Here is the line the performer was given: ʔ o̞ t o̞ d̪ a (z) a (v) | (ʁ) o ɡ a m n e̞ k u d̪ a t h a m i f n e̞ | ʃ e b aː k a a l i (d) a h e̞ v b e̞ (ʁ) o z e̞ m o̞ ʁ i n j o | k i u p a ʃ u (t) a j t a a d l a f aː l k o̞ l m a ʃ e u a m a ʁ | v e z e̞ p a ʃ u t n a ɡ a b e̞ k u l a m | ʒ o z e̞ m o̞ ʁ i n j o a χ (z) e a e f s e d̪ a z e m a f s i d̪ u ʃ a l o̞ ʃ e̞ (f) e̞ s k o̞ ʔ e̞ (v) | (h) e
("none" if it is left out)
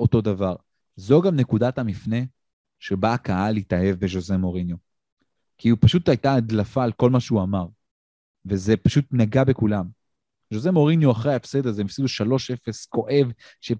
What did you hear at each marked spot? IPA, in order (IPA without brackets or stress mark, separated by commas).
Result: v, ʁ, z, t, ʒ, t, ʁ, f, v, ʃ